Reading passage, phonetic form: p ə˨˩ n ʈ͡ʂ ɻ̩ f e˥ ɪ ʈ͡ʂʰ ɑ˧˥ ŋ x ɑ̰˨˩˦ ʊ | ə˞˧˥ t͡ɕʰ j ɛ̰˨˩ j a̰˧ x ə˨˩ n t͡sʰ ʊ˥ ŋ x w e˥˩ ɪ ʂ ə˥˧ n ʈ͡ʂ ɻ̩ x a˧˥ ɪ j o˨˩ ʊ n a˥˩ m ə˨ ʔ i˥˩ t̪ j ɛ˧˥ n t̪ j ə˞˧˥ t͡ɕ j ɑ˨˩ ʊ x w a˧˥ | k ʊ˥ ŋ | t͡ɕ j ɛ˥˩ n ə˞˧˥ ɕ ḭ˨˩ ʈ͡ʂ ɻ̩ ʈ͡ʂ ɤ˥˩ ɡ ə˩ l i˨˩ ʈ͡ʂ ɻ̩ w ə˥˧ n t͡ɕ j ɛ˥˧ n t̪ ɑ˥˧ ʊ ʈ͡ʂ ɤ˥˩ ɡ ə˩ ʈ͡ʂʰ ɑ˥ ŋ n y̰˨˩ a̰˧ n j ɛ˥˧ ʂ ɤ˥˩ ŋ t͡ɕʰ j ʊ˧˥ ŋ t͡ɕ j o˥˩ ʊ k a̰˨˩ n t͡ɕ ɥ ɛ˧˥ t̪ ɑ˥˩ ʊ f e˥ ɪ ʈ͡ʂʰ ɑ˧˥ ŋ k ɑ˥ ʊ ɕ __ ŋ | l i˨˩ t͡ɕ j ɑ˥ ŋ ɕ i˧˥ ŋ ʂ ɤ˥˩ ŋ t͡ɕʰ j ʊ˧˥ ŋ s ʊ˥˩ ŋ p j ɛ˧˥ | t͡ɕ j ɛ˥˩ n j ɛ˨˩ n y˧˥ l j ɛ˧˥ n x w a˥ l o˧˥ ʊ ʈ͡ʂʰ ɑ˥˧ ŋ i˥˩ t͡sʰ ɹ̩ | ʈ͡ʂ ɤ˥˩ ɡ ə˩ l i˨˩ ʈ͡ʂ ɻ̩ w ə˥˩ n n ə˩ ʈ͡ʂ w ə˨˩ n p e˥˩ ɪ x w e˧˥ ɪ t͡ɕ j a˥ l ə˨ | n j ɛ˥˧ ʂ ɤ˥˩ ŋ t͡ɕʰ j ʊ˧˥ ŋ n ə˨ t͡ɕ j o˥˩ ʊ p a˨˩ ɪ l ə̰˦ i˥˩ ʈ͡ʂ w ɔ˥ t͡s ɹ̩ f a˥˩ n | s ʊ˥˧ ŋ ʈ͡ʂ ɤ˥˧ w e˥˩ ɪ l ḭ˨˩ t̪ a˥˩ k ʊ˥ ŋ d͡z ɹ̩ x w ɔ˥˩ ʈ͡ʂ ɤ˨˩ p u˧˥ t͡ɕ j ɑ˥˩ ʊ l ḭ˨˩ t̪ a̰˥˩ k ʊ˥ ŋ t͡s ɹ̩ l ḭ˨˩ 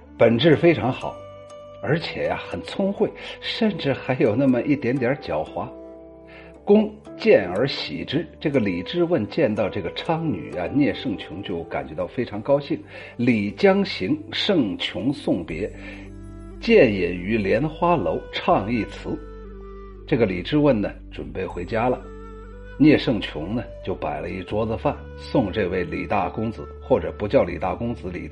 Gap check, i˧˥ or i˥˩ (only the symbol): i˥˩